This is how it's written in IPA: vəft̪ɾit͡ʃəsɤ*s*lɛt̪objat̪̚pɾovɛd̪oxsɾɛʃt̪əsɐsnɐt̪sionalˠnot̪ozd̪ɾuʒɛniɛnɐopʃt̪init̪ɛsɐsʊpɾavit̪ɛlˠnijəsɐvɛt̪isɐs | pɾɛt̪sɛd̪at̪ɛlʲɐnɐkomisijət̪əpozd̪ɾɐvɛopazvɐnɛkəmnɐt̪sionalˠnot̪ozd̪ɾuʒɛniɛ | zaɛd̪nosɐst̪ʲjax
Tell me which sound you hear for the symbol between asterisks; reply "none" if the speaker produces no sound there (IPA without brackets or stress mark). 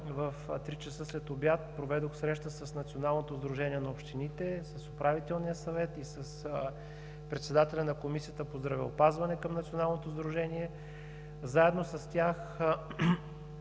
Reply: s